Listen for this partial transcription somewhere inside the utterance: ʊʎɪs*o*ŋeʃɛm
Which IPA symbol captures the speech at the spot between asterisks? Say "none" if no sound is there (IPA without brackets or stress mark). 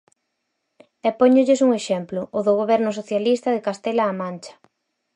u